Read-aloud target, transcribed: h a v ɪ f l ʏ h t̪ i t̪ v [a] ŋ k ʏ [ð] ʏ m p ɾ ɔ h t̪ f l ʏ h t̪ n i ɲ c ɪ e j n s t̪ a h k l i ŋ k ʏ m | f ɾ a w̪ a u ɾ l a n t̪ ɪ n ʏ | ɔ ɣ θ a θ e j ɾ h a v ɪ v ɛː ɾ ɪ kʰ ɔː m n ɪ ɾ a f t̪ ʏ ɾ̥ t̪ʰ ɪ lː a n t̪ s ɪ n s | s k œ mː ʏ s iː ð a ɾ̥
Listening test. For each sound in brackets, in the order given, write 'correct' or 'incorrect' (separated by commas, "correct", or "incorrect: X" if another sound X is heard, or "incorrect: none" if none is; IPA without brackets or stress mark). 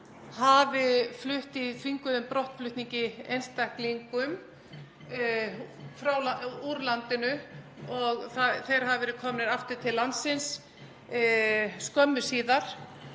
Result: incorrect: i, correct